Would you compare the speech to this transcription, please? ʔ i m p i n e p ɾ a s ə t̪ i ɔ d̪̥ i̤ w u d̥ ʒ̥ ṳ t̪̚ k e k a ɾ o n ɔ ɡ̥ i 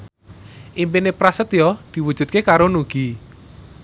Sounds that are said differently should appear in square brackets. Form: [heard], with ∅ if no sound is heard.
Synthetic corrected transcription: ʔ i m p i n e p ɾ a s ə t̪ [j] ɔ d̪̥ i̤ w u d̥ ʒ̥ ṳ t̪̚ k e k a ɾ o n [u] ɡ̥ i